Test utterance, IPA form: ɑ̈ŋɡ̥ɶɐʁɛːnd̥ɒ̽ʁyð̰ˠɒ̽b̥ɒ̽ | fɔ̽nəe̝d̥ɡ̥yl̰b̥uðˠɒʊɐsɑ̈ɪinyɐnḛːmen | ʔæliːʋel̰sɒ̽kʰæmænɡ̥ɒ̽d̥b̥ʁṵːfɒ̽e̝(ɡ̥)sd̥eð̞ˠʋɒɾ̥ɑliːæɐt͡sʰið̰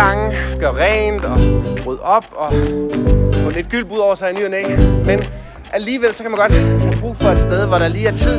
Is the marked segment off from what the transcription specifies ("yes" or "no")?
yes